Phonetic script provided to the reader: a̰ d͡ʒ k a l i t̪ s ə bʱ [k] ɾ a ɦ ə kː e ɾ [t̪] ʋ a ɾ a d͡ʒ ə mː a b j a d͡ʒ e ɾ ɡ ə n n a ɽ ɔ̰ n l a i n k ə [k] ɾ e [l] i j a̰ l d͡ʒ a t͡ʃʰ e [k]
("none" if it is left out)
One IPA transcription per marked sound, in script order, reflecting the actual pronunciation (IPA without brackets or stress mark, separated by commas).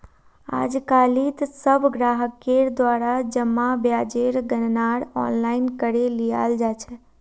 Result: ɡ, d̪, none, l, none